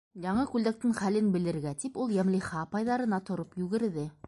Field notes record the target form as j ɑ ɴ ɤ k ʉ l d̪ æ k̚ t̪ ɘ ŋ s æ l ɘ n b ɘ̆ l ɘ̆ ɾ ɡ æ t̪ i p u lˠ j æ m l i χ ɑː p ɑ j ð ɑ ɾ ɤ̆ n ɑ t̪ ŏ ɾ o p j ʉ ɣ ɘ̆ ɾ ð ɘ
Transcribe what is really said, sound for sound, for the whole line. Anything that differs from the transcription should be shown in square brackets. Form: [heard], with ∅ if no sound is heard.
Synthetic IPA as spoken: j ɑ ɴ ɤ k ʉ l d̪ æ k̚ t̪ ɘ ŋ [χ] æ l ɘ n b ɘ̆ l ɘ̆ ɾ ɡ æ t̪ i p u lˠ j æ m l i χ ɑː p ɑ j ð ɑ ɾ ɤ̆ n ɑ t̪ ŏ ɾ o p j ʉ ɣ ɘ̆ ɾ ð ɘ